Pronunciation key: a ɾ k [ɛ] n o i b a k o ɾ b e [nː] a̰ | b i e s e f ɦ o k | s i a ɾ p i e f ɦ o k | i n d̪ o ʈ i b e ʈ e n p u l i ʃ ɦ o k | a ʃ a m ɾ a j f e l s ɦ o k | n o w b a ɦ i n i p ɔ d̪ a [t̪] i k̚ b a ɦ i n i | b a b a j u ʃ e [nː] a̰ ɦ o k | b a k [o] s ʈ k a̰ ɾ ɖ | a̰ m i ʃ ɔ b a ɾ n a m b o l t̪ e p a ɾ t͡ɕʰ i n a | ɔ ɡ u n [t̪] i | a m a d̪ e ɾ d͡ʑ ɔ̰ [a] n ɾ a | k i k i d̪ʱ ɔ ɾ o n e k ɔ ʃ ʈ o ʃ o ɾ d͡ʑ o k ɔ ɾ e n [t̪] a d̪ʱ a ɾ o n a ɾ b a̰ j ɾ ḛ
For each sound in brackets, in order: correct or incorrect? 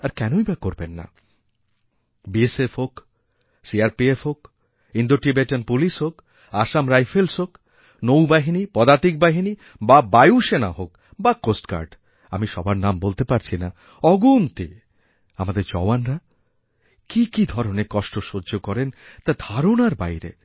correct, correct, correct, incorrect, correct, correct, correct, correct

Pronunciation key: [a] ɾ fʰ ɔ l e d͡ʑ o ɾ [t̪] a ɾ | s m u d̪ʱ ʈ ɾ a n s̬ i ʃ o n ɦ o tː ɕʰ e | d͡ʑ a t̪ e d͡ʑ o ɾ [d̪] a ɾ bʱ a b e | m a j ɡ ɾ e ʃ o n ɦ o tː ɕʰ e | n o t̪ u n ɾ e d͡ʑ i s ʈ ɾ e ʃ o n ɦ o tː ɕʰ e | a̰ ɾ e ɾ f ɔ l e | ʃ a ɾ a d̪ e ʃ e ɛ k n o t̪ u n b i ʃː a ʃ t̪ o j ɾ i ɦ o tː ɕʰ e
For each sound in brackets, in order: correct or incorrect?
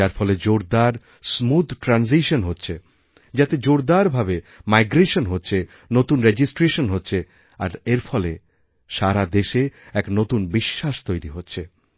correct, incorrect, correct

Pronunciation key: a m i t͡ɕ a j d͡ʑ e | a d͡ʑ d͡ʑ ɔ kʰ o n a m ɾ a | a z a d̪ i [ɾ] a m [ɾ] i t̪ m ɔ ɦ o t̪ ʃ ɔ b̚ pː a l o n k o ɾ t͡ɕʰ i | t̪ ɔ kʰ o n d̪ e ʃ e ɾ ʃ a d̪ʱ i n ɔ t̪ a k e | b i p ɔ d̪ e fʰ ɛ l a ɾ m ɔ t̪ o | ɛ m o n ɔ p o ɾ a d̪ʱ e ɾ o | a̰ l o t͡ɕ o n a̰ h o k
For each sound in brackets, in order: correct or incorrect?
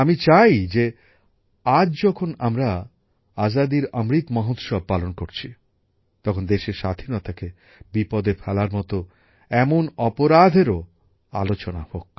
correct, correct

